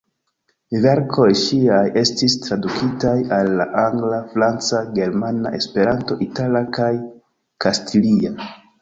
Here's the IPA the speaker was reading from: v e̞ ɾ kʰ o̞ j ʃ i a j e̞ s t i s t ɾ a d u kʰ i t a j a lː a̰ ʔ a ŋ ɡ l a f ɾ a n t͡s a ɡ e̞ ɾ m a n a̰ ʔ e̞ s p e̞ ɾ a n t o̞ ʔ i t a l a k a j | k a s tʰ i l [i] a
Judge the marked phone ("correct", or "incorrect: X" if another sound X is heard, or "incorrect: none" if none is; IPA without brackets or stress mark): correct